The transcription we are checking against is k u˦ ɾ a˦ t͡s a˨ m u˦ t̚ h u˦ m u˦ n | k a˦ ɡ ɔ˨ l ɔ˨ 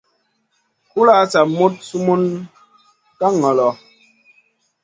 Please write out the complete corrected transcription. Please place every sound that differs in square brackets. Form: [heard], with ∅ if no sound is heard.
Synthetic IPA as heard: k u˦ [l] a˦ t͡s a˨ m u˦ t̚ [s] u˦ m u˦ n | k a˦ [ŋ] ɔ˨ l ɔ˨